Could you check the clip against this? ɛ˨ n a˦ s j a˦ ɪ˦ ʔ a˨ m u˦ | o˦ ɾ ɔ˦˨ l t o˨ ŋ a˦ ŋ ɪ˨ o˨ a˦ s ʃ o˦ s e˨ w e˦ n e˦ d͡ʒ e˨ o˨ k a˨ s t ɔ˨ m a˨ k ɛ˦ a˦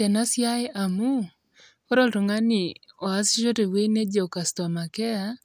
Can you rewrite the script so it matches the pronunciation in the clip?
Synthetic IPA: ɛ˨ n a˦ s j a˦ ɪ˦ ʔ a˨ m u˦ | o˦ ɾ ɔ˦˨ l t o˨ ŋ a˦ n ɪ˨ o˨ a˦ s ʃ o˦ t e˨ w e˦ n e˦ d͡ʒ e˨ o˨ k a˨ s t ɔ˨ m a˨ k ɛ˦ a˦

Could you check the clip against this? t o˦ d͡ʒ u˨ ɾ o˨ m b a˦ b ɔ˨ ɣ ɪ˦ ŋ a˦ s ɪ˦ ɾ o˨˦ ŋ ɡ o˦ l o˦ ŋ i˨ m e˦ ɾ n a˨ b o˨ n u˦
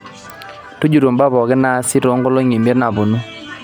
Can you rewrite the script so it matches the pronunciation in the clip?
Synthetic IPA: t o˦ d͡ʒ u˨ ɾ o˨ m b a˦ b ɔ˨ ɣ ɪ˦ n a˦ s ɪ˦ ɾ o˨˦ ŋ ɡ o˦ l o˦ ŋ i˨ m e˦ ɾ n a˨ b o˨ n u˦

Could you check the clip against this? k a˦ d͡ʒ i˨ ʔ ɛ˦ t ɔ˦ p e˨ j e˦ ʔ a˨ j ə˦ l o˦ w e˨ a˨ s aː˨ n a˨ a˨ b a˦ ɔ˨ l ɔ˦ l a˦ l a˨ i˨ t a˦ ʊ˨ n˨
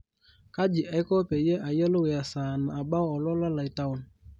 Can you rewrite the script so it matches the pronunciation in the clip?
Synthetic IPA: k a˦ d͡ʒ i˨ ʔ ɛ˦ k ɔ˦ p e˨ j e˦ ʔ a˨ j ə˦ l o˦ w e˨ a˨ s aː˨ n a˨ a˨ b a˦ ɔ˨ l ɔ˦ l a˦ l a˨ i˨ t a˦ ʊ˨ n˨

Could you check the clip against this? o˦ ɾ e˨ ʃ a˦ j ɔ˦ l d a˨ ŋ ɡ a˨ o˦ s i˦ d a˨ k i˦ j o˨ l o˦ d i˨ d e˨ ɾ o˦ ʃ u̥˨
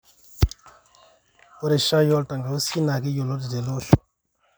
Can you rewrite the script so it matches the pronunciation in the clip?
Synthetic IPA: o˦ ɾ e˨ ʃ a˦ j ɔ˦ l t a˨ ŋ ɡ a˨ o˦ s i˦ n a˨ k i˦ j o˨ l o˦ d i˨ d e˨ l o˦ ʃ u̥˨

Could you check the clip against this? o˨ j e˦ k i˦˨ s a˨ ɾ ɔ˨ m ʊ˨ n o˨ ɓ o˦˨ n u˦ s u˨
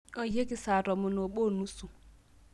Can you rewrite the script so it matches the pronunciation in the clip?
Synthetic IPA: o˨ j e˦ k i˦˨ s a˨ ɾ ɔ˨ m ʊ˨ n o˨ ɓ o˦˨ n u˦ s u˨

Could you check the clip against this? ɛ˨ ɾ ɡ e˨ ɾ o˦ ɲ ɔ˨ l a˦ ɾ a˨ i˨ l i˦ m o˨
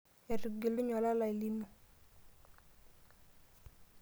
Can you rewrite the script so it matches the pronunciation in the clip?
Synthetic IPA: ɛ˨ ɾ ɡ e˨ l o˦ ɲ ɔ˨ l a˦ l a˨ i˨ l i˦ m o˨

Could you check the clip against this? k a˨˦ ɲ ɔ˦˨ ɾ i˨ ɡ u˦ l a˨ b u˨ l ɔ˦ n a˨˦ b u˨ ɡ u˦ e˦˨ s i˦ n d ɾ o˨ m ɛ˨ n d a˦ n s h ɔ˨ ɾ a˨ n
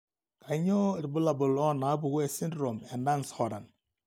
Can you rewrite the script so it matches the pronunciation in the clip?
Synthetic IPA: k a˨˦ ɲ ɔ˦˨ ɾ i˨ b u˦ l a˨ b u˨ l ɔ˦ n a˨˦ b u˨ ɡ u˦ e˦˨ s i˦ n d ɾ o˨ m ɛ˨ n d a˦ n s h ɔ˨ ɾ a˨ n

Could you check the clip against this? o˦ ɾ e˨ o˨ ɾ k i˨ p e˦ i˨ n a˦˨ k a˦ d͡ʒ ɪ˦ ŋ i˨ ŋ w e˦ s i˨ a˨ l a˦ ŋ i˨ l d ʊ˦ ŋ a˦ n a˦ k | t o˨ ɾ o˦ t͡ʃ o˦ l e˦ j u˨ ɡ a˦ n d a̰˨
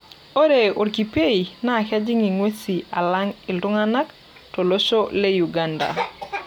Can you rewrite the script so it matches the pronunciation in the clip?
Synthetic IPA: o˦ ɾ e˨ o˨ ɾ k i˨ p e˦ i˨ n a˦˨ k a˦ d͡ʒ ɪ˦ ŋ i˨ ŋ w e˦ s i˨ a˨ l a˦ ŋ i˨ l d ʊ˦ ŋ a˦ n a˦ k | t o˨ l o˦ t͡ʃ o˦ l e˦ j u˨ ɡ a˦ n d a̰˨

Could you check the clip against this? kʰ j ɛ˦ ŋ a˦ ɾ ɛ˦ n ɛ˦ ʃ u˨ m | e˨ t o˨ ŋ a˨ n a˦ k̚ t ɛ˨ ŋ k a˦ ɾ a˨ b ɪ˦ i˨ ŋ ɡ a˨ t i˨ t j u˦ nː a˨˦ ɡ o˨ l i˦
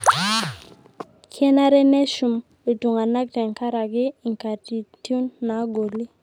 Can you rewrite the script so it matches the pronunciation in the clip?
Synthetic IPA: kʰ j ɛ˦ n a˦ ɾ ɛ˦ n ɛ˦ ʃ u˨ m | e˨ t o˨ ŋ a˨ n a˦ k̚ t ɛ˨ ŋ k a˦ ɾ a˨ ɡ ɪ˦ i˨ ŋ k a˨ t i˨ t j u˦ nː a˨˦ ɡ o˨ l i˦

